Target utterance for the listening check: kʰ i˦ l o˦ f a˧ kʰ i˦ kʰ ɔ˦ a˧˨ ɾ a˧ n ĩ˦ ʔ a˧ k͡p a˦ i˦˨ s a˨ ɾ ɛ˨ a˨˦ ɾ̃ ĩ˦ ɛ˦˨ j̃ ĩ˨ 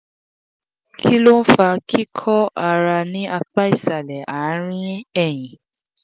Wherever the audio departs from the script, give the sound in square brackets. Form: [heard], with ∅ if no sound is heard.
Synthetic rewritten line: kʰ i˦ l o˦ f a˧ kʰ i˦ kʰ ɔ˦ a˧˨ ɾ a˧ n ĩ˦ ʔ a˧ k͡p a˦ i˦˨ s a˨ [l] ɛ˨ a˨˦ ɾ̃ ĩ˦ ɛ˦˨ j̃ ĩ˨